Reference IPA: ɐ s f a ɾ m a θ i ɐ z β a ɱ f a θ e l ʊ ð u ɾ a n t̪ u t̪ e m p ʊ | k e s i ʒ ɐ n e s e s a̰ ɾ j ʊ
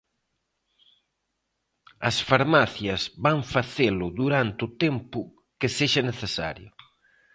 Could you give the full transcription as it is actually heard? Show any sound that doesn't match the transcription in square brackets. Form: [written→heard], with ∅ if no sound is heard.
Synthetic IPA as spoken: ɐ s f a ɾ m a θ [i→j] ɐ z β a ɱ f a θ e l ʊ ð u ɾ a n t̪ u t̪ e m p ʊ | k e s [i→e] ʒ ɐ n e [s→θ] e s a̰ ɾ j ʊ